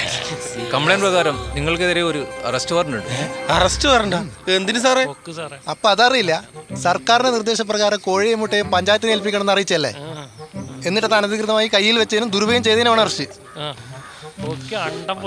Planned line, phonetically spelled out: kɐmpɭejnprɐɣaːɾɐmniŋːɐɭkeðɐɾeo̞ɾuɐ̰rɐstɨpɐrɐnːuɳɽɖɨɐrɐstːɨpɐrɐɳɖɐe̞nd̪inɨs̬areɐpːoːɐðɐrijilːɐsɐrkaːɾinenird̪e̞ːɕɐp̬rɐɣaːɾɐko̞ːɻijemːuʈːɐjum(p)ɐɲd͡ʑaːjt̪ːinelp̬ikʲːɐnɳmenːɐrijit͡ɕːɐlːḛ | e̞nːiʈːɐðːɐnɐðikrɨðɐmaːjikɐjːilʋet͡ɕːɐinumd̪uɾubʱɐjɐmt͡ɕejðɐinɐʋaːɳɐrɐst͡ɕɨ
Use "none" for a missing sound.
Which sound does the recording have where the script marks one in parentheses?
p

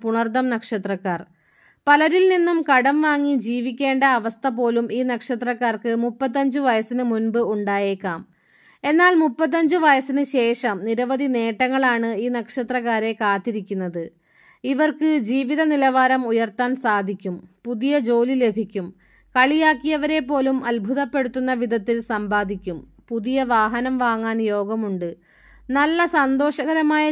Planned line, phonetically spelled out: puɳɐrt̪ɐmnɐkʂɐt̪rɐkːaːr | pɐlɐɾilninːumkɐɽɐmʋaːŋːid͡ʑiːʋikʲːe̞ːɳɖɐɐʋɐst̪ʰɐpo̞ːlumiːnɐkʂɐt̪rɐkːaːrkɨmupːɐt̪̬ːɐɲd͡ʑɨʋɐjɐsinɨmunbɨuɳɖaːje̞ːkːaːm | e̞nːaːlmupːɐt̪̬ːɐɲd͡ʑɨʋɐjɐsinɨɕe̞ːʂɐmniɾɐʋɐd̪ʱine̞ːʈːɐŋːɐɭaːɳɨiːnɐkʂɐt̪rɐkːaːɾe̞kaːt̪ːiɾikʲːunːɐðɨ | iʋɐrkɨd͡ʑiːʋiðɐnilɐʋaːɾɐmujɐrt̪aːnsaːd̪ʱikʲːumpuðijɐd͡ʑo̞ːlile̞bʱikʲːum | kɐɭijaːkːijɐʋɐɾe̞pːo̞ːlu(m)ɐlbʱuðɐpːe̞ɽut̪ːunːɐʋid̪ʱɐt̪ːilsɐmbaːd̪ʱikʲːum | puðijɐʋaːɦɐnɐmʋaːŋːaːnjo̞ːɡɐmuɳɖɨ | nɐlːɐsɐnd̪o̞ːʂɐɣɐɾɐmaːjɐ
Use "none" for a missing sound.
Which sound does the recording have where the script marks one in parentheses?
m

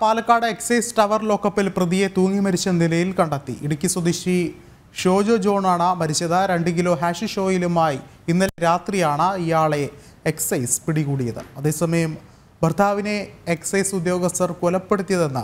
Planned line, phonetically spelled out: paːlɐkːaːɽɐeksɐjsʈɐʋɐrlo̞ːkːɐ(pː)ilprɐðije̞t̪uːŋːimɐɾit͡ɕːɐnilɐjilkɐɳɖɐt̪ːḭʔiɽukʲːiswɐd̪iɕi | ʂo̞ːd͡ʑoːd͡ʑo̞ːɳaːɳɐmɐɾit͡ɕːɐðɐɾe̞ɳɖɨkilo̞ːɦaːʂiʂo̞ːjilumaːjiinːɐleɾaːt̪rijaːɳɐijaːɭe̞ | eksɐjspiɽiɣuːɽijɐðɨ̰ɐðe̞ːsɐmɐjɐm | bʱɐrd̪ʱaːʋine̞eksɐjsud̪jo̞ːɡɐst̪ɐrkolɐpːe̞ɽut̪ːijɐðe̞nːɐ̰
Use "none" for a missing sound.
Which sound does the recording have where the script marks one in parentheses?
pː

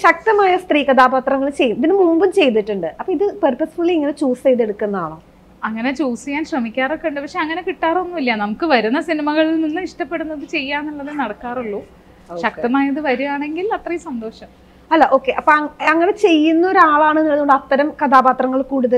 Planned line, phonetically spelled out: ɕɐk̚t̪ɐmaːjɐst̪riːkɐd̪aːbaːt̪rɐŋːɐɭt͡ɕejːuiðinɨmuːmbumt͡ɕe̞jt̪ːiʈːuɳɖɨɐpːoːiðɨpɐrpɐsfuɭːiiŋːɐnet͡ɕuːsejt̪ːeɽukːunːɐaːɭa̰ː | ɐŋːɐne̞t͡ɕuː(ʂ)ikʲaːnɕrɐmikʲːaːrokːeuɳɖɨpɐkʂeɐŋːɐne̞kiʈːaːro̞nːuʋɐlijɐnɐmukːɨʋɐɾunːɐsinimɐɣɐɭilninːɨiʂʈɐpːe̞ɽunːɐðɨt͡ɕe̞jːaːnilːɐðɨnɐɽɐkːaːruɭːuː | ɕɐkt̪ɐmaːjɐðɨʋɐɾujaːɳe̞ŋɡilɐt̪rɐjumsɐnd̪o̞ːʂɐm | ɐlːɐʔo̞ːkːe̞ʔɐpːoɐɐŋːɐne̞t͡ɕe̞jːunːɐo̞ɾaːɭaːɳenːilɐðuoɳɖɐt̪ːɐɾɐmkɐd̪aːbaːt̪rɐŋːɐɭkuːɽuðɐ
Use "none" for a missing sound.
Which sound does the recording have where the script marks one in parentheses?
s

